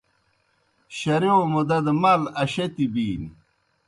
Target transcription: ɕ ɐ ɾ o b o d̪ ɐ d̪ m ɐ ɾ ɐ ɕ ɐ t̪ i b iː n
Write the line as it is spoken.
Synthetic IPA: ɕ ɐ ɾ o m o d̪ ɐ d̪ m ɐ l ɐ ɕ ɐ t̪ i b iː n